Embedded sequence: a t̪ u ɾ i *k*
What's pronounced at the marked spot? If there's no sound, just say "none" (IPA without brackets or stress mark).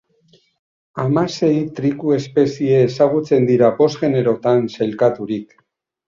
k